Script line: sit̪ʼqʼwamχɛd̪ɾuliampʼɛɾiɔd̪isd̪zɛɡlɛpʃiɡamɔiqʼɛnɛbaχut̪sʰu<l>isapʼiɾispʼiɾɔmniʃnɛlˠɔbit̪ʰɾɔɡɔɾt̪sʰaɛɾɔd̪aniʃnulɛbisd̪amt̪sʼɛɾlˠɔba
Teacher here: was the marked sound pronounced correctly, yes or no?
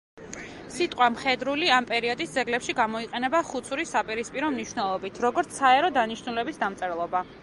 no